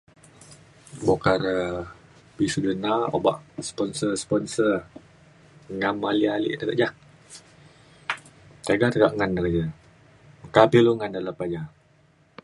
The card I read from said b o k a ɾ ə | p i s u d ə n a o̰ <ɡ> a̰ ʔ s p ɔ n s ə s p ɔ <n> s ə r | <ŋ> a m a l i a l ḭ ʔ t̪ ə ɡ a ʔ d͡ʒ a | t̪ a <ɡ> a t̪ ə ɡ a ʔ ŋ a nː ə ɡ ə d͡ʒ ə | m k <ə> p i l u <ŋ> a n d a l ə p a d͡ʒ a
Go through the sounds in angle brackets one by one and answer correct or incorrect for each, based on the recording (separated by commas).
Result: incorrect, correct, correct, correct, incorrect, correct